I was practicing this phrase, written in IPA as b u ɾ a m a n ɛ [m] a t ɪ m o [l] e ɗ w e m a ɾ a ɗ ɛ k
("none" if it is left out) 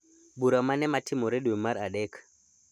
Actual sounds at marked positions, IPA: m, ɾ

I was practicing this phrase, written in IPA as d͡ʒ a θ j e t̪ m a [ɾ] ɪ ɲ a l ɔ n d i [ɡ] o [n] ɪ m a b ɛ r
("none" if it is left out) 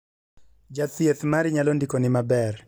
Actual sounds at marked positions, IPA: ɾ, k, n

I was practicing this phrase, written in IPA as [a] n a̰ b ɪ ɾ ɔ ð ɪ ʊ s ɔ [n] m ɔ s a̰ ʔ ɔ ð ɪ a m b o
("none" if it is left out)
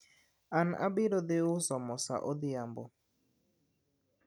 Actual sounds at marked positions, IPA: a, none

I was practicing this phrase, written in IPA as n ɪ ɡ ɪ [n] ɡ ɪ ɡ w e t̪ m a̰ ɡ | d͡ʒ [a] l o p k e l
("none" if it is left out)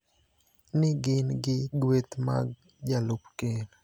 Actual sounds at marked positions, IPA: n, a

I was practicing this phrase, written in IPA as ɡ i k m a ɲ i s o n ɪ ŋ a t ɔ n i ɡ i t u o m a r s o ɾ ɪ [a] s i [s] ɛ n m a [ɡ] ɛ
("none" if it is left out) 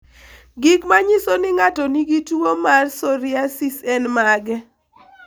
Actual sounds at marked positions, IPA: a, s, ɡ

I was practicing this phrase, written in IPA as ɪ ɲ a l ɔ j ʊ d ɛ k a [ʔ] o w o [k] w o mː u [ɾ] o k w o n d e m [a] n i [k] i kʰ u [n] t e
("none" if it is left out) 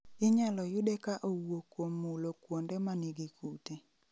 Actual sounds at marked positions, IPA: ʔ, k, l, a, ɡ, none

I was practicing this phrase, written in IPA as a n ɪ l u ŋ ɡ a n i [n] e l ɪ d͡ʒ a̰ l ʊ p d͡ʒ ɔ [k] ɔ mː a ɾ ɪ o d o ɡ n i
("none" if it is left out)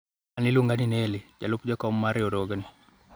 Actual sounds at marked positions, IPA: n, k

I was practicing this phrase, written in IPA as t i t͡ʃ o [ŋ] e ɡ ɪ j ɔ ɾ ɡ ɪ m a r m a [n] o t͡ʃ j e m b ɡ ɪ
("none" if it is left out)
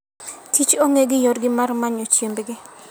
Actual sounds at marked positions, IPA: ŋ, ɲ

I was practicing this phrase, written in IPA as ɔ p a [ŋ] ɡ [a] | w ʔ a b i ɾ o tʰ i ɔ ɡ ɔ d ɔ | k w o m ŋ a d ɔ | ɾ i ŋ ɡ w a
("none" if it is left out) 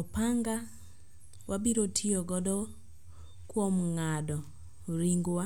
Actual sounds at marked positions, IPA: ŋ, a

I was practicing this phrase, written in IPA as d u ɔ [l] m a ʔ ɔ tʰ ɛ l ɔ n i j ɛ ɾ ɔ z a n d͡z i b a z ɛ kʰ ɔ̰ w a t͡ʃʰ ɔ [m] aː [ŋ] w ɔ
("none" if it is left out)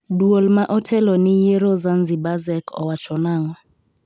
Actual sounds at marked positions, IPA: l, n, ŋ

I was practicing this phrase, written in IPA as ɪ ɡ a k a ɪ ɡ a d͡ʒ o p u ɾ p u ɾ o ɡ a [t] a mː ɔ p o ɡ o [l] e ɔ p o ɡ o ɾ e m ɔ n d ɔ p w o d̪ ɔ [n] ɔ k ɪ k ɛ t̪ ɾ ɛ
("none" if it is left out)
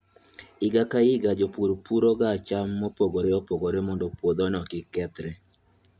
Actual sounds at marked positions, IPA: t͡ʃ, ɾ, n

